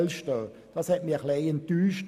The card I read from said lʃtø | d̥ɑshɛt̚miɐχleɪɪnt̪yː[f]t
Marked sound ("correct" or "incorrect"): incorrect